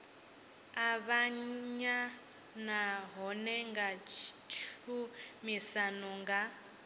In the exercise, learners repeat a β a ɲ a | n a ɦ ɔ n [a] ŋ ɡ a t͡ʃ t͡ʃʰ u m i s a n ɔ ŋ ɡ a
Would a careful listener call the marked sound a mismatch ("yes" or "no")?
yes